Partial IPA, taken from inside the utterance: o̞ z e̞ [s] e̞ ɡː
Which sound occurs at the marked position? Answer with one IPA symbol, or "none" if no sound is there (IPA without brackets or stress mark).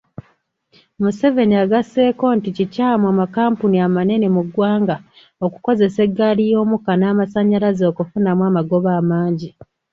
s